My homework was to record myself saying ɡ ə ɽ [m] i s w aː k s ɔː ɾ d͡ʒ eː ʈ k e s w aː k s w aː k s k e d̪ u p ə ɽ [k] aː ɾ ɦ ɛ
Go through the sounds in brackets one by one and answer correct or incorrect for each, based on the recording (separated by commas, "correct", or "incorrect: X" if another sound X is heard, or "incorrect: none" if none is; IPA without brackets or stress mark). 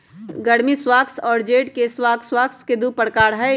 correct, correct